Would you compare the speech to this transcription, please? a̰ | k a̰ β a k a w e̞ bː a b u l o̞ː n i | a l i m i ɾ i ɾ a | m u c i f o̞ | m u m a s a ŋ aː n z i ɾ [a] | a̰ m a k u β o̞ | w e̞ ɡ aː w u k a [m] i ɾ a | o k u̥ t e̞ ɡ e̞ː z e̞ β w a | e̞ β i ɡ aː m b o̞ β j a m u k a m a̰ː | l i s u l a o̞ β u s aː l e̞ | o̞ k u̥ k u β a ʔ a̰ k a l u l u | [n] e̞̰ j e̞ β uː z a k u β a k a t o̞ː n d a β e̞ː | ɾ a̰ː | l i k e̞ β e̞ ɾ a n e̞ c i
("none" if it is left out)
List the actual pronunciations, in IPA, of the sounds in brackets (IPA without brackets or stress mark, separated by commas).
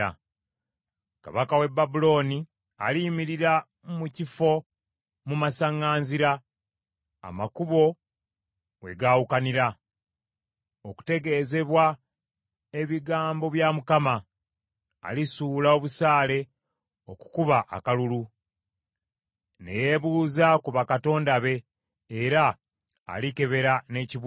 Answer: a, n, n